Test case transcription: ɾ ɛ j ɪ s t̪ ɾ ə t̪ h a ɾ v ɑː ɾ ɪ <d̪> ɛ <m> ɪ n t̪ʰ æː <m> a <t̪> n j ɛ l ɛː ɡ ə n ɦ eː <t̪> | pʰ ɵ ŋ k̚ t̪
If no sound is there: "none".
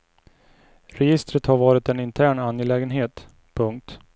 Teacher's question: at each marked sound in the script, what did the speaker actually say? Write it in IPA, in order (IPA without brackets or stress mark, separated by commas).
t̪, n, ɳ, none, t̪